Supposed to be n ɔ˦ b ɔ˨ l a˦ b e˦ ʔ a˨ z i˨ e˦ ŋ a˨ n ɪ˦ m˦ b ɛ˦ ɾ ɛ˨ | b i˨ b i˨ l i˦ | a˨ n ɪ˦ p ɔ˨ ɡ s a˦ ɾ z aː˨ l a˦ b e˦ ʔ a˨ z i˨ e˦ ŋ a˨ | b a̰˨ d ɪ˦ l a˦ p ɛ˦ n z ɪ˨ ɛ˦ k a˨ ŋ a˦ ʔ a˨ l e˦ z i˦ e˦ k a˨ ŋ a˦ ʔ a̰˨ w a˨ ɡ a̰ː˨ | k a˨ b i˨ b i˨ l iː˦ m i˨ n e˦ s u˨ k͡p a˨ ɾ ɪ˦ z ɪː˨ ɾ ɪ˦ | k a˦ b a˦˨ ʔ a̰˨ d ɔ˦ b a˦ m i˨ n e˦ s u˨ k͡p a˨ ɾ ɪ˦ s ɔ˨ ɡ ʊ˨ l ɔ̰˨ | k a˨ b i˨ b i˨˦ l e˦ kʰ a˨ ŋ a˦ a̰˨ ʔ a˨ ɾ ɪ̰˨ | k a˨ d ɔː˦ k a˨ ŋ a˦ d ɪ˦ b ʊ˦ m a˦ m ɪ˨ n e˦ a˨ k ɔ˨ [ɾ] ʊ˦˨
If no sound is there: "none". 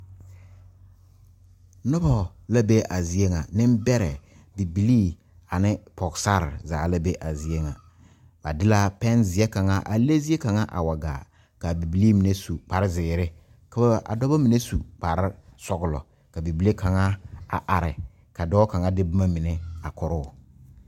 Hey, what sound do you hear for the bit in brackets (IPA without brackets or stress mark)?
ɾ